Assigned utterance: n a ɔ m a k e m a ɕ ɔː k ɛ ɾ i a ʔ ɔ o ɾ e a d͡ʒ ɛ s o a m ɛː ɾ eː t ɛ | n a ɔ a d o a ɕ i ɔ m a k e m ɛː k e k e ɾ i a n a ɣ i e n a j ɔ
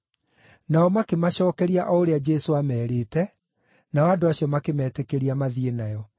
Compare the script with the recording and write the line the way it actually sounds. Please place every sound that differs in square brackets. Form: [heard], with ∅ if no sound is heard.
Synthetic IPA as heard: n a ɔ m a k e m a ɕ ɔː k ɛ ɾ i a ʔ ɔ o ɾ e a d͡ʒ ɛ s o a m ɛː ɾ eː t ɛ | n a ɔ a d o a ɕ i ɔ m a k e m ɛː [t] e k e ɾ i a [m] a [ð] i e n a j ɔ